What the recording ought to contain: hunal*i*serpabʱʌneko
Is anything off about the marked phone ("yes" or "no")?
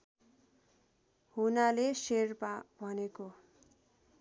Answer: yes